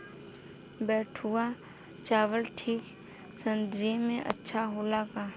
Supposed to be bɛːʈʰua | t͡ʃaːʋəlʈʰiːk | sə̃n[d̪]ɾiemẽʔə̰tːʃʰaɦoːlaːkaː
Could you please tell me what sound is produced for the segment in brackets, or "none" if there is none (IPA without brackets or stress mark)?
d̪